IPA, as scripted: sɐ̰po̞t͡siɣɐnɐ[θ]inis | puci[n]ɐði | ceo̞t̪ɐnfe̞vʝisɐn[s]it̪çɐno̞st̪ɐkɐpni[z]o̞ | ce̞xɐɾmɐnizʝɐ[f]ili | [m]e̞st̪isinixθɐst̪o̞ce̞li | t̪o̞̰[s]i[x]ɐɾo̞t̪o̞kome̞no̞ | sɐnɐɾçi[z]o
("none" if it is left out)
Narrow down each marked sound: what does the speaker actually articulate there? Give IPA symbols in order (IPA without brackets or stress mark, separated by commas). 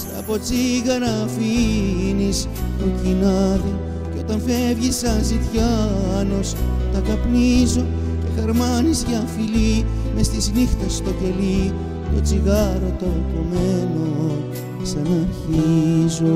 f, n, z, z, f, m, t͡s, ɣ, z